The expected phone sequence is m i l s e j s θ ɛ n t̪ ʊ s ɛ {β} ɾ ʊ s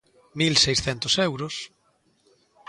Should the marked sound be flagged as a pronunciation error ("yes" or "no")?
yes